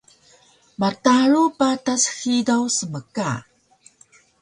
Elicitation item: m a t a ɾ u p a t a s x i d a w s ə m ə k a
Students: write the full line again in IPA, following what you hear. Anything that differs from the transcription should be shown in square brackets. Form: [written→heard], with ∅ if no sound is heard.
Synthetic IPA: m a t a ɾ u p a t a s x i d a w s ə m ə k a